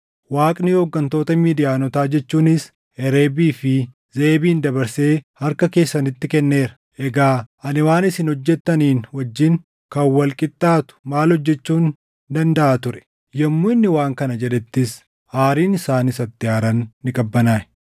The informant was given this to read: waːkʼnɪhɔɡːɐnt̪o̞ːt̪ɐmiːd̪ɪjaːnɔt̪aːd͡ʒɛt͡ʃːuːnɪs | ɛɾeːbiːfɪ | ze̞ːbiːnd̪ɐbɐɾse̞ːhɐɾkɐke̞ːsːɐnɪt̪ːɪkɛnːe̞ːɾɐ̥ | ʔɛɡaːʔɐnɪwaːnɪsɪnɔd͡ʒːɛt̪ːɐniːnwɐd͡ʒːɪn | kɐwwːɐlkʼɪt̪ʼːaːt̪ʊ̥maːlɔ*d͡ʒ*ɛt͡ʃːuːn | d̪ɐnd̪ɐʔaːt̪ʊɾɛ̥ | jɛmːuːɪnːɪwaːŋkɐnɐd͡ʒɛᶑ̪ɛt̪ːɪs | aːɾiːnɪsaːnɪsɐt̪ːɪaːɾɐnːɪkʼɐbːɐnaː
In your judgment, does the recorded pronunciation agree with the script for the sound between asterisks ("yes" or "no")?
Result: no